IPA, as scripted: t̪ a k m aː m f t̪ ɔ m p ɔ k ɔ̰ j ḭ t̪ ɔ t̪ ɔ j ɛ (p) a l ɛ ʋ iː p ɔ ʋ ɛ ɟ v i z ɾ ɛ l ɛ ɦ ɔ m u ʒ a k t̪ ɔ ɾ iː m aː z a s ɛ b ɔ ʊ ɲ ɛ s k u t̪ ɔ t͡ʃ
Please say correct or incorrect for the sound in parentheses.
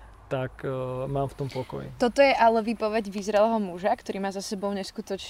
incorrect